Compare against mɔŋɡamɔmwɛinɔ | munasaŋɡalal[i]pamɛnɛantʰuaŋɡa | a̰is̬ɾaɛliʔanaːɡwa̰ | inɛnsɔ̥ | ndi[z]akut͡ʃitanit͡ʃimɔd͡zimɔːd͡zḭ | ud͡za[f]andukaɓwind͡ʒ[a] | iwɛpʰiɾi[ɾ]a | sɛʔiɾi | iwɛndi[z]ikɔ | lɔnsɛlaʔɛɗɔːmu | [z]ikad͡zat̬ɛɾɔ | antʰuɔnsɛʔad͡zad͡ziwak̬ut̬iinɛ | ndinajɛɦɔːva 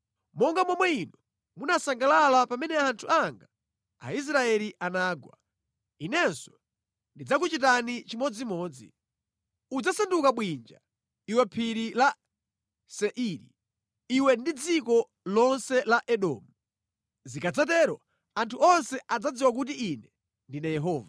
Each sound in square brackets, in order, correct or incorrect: incorrect: a, incorrect: d͡z, incorrect: s, correct, incorrect: l, incorrect: d͡z, correct

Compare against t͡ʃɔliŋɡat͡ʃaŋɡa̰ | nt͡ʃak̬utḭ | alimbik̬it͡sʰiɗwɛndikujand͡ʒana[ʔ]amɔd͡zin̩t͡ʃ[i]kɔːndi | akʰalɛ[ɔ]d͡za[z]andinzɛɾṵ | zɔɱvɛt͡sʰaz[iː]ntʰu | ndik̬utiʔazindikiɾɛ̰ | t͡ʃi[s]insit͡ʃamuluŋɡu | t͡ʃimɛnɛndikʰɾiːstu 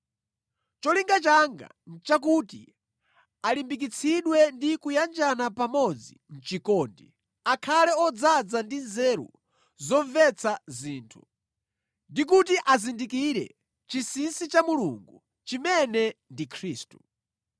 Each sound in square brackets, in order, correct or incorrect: incorrect: p, correct, correct, incorrect: d͡z, correct, correct

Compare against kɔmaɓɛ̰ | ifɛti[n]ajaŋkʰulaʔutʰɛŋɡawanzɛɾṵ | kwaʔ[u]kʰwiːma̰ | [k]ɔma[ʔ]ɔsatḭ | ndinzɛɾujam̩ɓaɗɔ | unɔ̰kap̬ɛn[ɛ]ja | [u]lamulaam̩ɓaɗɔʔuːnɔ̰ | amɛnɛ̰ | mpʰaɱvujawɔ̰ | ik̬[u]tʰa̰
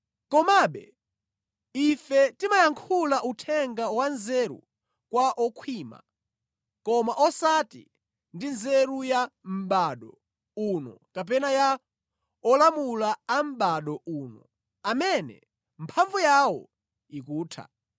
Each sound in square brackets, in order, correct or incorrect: incorrect: m, incorrect: ɔ, correct, correct, incorrect: a, incorrect: ɔ, incorrect: uː

